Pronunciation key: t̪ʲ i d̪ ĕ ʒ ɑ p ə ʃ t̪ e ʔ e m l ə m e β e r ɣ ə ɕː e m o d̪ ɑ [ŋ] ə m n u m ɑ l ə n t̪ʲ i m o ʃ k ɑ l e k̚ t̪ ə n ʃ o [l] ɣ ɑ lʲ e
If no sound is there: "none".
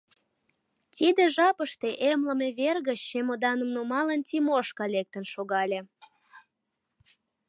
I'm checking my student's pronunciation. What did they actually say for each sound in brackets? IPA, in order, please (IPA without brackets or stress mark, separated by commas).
n, none